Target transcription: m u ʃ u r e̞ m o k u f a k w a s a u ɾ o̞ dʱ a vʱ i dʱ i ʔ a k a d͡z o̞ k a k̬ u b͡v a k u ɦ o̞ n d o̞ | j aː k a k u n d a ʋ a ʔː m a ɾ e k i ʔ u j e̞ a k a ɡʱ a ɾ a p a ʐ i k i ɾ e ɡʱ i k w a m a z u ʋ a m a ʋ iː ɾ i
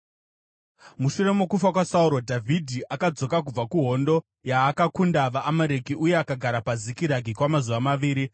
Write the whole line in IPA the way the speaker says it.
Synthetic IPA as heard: m u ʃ u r e̞ m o k u f a k w a s a u ɾ o̞ dʱ a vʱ i dʱ i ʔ a k a d͡z o̞ k a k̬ u b͡v a k u ɦ o̞ n d o̞ | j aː k a k u n d a ʋ a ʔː m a ɾ e k i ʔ u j e̞ a k a ɡʱ a ɾ a p a z i k i ɾ a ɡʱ i k w a m a z u ʋ a m a ʋ iː ɾ i